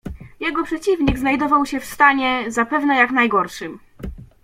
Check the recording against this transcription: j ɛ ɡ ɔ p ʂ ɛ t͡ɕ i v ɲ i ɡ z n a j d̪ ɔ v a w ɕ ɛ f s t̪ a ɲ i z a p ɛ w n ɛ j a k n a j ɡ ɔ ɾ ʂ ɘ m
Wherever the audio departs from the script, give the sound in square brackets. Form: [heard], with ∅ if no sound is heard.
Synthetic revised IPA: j ɛ ɡ ɔ p ʂ ɛ t͡ɕ i v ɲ i ɡ z n a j d̪ ɔ v a w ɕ ɛ f s t̪ a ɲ [ɛ] z a p ɛ [v] n ɛ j a k n a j ɡ ɔ ɾ ʂ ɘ m